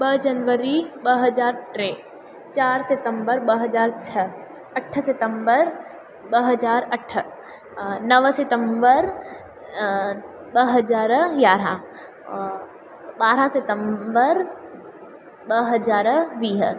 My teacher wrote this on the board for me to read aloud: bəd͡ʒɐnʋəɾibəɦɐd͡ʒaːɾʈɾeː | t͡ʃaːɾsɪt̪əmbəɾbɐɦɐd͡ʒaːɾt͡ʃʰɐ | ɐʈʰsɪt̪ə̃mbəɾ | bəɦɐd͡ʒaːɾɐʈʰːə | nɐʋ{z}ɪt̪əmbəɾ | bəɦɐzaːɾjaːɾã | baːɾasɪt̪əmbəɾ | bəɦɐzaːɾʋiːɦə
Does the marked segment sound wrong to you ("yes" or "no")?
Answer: yes